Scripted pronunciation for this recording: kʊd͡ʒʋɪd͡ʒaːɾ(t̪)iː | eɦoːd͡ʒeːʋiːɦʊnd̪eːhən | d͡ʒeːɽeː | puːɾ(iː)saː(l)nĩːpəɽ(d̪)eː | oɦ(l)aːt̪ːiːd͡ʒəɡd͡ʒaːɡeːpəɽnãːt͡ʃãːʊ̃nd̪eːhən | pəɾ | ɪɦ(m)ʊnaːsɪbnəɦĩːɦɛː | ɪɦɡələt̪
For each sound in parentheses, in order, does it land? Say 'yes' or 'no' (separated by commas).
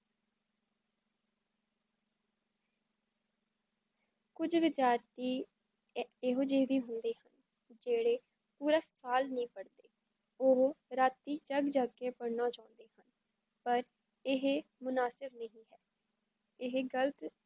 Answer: yes, no, yes, yes, no, yes